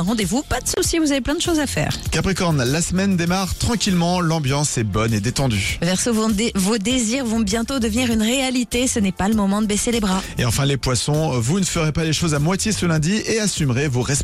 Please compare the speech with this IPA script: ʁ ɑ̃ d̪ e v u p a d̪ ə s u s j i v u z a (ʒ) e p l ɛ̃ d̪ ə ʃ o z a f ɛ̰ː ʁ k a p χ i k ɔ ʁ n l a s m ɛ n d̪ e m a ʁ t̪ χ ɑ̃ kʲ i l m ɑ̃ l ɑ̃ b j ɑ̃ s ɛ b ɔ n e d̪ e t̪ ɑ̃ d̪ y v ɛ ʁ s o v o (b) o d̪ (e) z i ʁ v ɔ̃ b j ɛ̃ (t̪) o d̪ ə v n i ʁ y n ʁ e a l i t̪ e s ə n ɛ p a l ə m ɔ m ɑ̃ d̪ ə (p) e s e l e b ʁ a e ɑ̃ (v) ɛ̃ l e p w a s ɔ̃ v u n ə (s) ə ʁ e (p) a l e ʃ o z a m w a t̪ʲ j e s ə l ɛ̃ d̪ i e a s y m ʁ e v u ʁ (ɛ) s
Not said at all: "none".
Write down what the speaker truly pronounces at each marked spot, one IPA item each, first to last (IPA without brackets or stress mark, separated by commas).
v, v, e, t̪, b, f, f, p, ɛ